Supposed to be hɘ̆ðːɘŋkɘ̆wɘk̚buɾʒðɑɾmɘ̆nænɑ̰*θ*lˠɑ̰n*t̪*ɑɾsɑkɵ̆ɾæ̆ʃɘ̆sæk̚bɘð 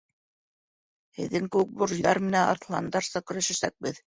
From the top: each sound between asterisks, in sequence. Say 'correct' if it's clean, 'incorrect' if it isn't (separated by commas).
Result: correct, incorrect